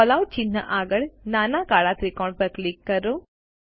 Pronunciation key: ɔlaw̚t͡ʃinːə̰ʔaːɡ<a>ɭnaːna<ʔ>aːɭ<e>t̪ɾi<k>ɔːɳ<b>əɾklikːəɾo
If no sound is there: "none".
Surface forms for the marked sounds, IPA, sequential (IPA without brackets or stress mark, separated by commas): ə, k, a, k, p